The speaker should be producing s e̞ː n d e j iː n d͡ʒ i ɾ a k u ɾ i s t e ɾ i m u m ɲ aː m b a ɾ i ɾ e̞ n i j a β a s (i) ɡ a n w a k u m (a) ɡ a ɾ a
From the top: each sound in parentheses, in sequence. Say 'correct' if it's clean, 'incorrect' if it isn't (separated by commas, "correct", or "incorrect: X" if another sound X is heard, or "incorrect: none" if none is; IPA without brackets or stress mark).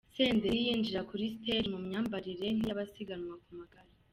correct, correct